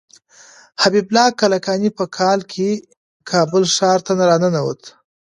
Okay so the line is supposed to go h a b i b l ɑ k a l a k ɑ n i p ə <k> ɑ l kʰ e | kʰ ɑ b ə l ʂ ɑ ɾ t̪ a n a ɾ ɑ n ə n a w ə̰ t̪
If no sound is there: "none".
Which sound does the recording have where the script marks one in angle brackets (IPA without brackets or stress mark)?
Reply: kʰ